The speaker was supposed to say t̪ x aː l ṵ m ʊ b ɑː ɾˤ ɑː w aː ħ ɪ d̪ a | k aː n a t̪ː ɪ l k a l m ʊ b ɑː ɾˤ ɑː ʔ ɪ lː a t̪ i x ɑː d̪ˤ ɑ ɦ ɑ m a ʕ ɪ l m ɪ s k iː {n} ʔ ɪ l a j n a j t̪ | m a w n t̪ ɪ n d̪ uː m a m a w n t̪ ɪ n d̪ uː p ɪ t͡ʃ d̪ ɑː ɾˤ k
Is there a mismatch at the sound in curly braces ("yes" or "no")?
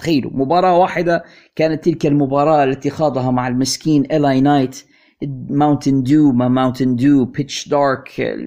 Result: no